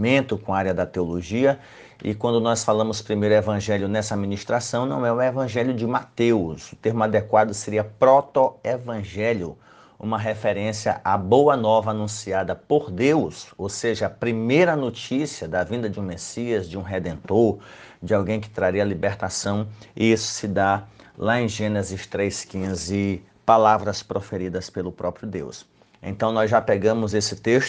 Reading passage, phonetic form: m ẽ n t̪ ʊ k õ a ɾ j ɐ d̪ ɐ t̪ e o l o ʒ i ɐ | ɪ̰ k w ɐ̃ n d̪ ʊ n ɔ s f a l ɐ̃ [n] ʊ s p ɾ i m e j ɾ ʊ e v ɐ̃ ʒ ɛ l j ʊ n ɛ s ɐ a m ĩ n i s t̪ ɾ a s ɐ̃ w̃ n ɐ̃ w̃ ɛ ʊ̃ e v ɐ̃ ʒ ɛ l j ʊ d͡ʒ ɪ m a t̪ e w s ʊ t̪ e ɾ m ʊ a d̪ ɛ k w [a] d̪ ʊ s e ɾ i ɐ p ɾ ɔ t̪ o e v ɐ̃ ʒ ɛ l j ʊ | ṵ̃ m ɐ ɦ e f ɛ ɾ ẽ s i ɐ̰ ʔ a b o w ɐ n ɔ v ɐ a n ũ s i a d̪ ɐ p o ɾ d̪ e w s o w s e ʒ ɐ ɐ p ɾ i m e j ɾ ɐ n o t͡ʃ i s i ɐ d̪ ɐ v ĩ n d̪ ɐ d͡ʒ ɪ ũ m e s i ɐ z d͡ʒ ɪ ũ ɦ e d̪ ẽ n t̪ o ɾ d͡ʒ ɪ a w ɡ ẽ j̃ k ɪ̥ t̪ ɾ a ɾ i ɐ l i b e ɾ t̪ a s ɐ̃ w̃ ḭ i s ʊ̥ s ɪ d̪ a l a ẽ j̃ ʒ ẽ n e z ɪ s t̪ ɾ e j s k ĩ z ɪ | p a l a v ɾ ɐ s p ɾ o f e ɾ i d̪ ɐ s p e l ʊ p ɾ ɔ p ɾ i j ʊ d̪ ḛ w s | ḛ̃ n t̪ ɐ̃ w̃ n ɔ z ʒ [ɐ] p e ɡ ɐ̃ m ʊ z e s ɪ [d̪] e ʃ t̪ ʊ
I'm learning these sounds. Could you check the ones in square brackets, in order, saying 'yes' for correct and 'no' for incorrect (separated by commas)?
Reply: no, yes, no, no